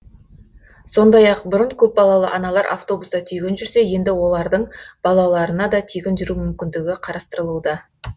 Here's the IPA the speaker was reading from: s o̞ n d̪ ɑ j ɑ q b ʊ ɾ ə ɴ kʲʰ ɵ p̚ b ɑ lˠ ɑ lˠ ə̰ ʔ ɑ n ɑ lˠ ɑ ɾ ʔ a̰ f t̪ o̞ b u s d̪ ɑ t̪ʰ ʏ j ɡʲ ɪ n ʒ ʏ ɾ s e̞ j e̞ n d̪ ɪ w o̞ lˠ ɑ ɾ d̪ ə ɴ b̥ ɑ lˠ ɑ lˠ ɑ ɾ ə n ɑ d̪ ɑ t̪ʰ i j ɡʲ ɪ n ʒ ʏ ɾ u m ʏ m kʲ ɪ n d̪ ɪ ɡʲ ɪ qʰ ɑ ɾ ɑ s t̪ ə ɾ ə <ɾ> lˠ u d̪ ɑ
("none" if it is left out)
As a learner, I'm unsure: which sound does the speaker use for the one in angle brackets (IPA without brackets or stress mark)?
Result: none